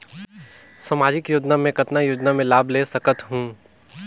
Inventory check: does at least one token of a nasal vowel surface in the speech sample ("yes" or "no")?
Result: yes